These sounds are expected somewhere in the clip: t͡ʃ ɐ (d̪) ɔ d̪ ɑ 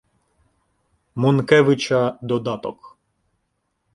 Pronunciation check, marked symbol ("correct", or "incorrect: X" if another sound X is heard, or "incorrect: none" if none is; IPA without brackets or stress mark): correct